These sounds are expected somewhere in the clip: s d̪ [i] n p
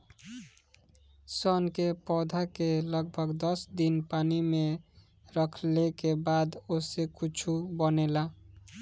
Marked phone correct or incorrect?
correct